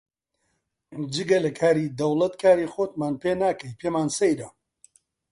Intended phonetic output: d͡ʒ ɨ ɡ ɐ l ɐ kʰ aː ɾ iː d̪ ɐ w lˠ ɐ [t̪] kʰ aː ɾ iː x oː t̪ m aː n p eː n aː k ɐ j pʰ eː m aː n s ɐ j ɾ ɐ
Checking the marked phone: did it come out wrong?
no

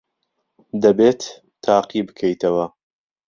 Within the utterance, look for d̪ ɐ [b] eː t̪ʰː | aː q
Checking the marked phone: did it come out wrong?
no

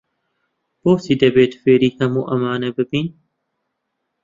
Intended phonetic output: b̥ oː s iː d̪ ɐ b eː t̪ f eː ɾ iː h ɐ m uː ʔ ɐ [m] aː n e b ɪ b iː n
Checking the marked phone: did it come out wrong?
no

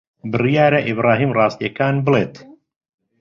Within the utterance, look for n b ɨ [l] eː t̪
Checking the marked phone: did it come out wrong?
no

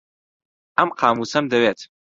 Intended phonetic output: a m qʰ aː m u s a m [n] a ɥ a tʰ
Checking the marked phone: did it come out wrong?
yes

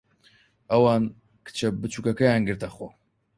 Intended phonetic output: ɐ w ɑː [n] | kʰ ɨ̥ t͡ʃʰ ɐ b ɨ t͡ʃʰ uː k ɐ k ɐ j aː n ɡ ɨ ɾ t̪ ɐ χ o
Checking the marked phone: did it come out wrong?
no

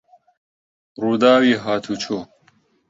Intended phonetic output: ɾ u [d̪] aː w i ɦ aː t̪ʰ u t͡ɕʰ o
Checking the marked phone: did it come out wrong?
no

